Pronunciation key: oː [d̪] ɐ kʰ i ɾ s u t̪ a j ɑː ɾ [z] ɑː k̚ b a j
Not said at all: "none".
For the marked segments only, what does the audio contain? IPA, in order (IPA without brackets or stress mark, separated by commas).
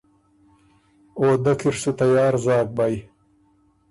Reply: d̪, z